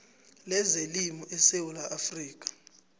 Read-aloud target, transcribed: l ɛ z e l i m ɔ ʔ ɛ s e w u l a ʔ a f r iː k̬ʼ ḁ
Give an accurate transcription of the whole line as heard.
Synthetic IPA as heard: l ɛ z e l i m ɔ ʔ ɛ s e w u l a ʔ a f r iː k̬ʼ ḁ